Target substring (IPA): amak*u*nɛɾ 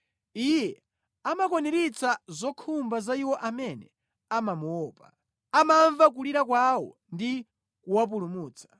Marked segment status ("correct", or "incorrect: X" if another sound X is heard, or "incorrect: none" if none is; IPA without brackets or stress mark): incorrect: ɔ